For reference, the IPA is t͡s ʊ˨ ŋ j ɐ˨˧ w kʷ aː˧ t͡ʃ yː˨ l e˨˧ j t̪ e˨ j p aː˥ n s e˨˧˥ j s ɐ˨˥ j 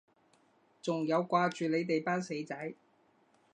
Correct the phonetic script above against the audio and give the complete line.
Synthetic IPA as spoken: t͡s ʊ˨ ŋ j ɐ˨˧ w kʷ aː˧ t͡ʃ yː˨ l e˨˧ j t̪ e˨ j p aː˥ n s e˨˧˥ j t͡s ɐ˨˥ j

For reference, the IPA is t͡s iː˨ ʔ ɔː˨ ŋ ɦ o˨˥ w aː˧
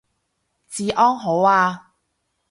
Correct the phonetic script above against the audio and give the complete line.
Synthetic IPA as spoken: t͡s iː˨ ʔ ɔː˥ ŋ ɦ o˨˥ w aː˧

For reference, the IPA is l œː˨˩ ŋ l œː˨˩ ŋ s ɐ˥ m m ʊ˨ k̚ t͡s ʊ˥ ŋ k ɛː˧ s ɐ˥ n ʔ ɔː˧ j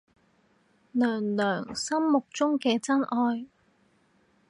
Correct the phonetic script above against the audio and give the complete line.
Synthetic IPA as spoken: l œː˨˩ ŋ l œː˨˩ ŋ s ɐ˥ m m ʊ˨ k̚ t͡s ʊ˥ ŋ k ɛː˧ t͡s ɐ˥ n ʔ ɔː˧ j

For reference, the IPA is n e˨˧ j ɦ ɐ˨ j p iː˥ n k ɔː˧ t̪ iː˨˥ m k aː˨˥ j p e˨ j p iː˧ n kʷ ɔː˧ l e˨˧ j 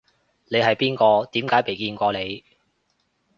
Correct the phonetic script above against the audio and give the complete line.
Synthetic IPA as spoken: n e˨˧ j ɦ ɐ˨ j p iː˥ n k ɔː˧ t̪ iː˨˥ m k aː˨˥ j p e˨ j k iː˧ n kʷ ɔː˧ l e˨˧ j

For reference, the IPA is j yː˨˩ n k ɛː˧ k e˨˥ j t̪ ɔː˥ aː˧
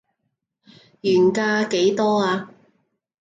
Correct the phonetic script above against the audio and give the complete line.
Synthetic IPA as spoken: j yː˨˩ n k aː˧ k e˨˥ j t̪ ɔː˥ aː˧

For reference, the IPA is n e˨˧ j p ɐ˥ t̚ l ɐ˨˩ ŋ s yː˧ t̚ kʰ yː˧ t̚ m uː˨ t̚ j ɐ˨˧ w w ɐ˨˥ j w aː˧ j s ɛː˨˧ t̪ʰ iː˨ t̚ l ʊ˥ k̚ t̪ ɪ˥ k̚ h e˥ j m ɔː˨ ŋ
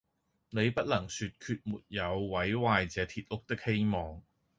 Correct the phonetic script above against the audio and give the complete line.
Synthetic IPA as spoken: n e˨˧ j p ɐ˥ t̚ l ɐ˨˩ ŋ s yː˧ t̚ kʰ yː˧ t̚ m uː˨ t̚ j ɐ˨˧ w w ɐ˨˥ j w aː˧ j t͡s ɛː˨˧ t̪ʰ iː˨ t̚ l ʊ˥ k̚ t̪ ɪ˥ k̚ h e˥ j m ɔː˨ ŋ

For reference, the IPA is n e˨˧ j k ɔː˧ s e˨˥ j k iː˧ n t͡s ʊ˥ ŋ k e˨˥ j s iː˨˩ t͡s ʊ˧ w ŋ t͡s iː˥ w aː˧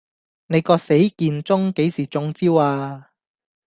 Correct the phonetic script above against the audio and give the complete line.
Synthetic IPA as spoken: n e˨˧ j k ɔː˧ s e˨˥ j k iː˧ n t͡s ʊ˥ ŋ k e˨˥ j s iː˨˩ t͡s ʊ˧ ŋ t͡s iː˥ w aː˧

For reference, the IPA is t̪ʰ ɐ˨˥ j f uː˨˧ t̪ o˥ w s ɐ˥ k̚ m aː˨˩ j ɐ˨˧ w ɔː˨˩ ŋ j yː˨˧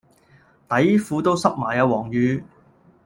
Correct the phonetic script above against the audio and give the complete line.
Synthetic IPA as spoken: t̪ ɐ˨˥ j f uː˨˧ t̪ o˥ w s ɐ˥ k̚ m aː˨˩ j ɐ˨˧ w ɔː˨˩ ŋ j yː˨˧

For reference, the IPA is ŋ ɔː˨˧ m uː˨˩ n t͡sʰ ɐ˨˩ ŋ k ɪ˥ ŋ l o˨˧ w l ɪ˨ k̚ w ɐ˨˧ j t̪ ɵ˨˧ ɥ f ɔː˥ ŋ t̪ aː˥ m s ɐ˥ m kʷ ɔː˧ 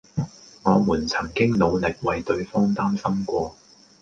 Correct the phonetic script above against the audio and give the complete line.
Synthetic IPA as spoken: ŋ ɔː˨˧ m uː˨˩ n t͡sʰ ɐ˨˩ ŋ k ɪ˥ ŋ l o˨˧ w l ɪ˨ k̚ w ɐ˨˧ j t̪ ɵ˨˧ ɥ f ɔː˥ ŋ t̪ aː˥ m s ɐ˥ m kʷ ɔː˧

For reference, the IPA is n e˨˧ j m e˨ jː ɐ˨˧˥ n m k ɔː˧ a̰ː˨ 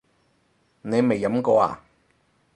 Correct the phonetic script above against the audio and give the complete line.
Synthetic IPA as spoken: n e˨˧ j m e˨ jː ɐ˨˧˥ m k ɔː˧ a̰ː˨

